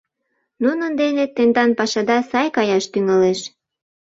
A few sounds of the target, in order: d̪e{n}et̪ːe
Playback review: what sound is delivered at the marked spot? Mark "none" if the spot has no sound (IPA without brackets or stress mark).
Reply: n